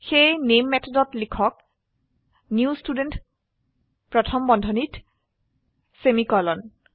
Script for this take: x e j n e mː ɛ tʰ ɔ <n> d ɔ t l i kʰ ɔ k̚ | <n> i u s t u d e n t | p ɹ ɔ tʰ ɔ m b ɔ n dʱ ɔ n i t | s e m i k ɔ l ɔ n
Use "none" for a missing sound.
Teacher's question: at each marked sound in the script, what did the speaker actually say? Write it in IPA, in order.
none, n

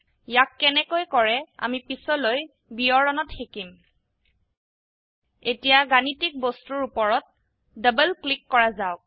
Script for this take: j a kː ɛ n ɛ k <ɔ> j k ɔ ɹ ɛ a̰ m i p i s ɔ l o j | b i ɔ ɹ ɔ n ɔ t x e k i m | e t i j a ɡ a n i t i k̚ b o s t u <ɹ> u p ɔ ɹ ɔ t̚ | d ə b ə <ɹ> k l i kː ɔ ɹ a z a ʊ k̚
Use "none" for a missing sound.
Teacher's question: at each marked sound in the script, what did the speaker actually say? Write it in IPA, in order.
o, ɹ, l

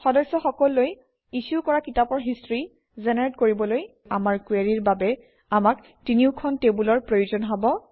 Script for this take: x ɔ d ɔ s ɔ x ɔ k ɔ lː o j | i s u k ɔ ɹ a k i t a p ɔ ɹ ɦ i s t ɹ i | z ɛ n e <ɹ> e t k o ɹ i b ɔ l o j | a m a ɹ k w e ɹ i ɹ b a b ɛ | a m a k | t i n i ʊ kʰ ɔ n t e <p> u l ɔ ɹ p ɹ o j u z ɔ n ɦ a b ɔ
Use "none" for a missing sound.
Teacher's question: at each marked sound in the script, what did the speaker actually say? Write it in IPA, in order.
ɹ, b

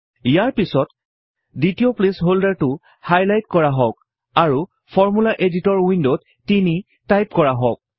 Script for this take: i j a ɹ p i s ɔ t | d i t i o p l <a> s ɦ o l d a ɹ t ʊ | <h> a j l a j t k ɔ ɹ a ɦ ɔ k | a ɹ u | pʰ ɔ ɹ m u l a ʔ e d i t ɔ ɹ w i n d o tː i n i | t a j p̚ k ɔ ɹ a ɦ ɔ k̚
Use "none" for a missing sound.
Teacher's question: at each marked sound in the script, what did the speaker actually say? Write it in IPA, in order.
e, h

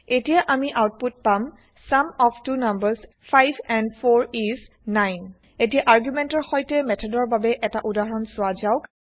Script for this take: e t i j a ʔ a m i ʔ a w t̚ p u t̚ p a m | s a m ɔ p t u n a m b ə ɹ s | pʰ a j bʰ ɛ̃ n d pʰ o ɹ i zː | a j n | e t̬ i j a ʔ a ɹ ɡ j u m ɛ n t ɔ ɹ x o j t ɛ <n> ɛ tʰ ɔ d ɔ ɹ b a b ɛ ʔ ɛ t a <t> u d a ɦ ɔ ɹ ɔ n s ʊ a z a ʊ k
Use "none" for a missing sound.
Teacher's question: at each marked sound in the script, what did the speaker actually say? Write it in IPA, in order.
m, ʔ

